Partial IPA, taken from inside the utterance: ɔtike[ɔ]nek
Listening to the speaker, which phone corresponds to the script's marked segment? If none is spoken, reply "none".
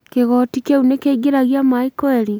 u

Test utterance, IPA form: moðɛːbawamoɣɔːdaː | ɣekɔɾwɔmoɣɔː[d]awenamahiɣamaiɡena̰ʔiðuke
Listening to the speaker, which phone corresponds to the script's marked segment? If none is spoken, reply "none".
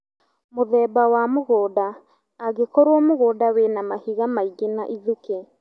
d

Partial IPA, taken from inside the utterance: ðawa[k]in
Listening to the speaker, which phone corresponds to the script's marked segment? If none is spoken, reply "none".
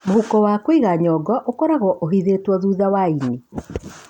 none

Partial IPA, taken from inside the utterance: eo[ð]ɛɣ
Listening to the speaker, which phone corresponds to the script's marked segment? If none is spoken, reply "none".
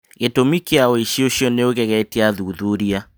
ɣ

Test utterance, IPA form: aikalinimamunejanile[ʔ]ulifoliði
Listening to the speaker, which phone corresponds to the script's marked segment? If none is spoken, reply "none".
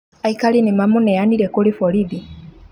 k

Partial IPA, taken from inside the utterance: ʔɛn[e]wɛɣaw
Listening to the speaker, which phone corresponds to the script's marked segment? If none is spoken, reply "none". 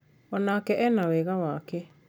a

